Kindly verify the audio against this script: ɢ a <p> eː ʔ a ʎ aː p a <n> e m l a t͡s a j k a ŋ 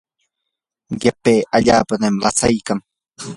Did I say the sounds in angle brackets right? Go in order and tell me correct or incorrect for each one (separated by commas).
correct, correct